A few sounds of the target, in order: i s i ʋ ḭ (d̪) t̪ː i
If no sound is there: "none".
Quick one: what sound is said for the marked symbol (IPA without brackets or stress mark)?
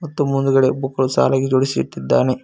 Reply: none